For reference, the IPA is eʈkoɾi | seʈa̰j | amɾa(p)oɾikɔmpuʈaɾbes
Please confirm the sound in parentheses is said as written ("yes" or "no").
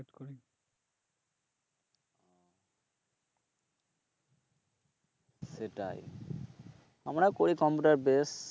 no